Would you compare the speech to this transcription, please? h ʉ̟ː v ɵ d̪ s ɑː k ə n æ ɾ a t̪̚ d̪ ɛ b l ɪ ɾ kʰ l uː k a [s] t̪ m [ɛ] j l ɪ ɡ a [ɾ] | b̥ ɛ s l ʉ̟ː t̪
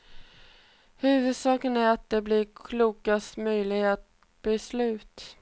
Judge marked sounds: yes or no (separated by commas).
yes, no, no